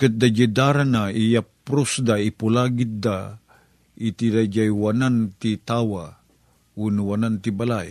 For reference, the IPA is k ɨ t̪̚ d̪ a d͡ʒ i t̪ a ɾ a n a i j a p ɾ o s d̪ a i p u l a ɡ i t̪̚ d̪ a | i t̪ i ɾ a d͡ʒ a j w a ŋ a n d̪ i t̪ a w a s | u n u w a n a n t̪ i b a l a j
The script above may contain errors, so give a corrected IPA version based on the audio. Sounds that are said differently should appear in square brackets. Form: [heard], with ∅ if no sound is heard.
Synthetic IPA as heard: k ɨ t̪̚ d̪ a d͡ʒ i [d̪] a ɾ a n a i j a p ɾ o s d̪ a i p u l a ɡ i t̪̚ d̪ a | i t̪ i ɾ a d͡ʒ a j w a [n] a n [t̪] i t̪ a w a [∅] | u n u w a n a n t̪ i b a l a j